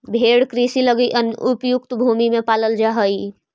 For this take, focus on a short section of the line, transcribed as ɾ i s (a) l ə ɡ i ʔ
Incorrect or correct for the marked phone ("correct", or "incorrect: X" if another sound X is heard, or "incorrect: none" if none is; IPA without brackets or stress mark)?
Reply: incorrect: i